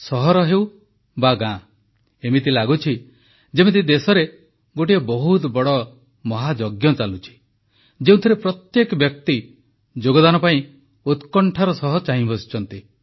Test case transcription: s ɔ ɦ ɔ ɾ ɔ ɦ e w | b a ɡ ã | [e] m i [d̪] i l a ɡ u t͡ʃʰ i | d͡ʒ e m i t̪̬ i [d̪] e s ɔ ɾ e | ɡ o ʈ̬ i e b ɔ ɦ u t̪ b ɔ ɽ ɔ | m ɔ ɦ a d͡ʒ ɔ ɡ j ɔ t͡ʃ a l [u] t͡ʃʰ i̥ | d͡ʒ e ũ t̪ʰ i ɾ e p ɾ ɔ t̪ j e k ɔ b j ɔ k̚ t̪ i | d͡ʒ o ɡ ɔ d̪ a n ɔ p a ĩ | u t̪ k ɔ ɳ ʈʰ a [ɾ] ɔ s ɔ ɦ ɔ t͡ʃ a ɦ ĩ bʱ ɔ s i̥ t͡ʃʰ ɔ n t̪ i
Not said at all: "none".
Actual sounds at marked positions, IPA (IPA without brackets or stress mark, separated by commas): e, t̪, d̪, u, ɾ